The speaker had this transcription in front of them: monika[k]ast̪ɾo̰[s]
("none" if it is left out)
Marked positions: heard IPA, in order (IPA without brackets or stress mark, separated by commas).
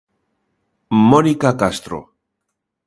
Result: k, none